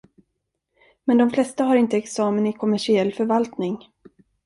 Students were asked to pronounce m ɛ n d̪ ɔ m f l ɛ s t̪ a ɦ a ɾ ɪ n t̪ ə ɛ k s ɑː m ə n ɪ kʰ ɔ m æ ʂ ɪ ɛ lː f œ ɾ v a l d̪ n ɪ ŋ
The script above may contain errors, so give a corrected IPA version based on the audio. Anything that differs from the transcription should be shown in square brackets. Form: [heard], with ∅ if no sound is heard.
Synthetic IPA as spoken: m ɛ n d̪ ɔ m f l ɛ s t̪ a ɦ a ɾ ɪ n t̪ ə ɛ k s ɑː m ə n ɪ kʰ ɔ m æ ʂ ɪ ɛ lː f œ ɾ v a l [t̪] n ɪ ŋ